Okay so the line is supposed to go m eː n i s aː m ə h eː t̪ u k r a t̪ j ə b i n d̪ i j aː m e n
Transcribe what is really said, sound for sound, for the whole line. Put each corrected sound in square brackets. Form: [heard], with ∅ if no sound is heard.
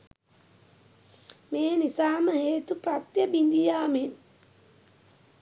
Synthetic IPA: m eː n i s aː m ə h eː t̪ u [p] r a t̪ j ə b i n d̪ i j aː m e n